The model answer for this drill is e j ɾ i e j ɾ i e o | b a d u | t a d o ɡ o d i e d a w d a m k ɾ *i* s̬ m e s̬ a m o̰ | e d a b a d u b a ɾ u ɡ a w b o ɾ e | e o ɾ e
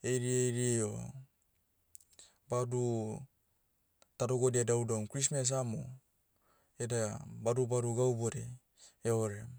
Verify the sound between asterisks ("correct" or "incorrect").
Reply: correct